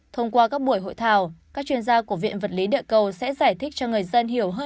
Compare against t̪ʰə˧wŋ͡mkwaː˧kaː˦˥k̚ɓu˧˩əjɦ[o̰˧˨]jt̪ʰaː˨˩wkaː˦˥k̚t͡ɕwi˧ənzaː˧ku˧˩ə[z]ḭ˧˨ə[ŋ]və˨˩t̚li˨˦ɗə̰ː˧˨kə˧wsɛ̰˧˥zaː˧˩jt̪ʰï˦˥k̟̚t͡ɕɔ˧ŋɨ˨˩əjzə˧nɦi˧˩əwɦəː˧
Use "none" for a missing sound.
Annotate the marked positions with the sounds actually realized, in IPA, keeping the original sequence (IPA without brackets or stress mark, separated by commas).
o̰˧˨, v, n